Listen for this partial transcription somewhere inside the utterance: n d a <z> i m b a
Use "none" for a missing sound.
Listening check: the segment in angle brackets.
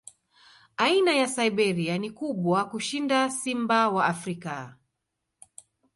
s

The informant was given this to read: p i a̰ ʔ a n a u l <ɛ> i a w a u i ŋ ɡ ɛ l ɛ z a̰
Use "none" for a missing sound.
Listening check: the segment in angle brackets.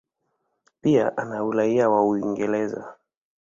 a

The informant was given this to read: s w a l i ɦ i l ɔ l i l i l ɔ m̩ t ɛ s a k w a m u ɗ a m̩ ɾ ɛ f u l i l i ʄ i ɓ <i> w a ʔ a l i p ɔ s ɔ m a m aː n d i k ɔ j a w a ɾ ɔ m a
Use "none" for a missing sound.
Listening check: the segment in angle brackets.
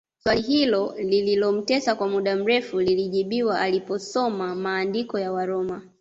i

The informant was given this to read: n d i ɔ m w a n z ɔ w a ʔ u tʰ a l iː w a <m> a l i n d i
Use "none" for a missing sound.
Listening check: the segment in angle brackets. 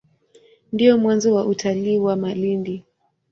m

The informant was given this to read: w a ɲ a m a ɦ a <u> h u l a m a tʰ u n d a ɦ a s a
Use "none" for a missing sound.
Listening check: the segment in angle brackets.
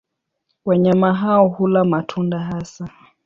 ɔ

